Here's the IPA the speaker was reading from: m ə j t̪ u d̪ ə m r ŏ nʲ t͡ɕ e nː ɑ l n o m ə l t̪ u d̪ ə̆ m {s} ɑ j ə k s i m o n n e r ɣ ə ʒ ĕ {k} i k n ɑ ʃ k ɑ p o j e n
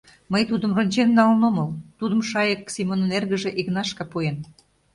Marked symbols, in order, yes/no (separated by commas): no, no